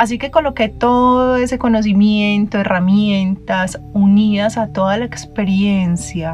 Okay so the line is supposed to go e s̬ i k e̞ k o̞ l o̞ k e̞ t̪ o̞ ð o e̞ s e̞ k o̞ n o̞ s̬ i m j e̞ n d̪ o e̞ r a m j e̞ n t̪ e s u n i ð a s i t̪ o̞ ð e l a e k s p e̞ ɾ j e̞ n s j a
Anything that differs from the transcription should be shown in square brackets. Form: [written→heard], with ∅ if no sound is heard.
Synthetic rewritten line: [e→a] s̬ i k e̞ k o̞ l o̞ k e̞ t̪ o̞ ð o e̞ s e̞ k o̞ n o̞ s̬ i m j e̞ n [d̪→t̪] o e̞ r a m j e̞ n t̪ [e→a] s u n i ð a s [i→a] t̪ o̞ ð [e→a] l a e k s p e̞ ɾ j e̞ n s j a